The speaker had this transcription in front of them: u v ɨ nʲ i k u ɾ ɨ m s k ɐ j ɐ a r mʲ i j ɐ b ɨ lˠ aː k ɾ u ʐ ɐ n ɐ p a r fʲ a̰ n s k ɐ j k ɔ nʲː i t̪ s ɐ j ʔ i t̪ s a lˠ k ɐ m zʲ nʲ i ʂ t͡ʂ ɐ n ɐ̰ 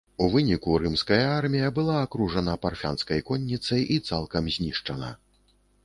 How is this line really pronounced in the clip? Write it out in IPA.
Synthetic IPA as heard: u v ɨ nʲ i k u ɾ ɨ m s k ɐ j ɐ a r mʲ i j ɐ b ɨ lˠ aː k ɾ u ʐ ɐ n ɐ p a r fʲ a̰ n s k ɐ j k ɔ nʲː i t̪ s ɐ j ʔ i t̪ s a lˠ k ɐ m zʲ nʲ i ʂ t͡ʂ ɐ n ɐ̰